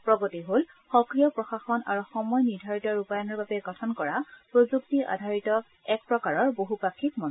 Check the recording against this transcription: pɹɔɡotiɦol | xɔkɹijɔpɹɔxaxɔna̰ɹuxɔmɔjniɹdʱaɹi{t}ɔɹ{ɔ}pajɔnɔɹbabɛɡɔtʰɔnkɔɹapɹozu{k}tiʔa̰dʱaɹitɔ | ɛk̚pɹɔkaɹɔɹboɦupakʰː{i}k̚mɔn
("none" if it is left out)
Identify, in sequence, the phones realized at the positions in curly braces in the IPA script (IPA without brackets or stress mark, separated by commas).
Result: t, u, k, i